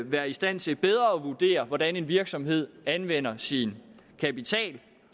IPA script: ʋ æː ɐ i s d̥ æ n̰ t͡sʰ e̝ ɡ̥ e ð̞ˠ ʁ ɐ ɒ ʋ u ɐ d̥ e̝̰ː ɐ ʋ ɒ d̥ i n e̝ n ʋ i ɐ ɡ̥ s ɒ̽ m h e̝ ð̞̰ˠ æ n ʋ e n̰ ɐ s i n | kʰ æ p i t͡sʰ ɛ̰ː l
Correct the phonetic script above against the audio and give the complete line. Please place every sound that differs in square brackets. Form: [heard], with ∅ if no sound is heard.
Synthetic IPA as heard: ʋ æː ɐ i s d̥ æ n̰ t͡sʰ e̝ [b̥] e ð̞ˠ ʁ ɐ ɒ ʋ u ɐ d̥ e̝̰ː ɐ ʋ ɒ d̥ [æ] n e̝ n ʋ i ɐ ɡ̥ s ɒ̽ m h e̝ ð̞̰ˠ æ n ʋ e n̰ ɐ s i n | kʰ æ p i t͡sʰ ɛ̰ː l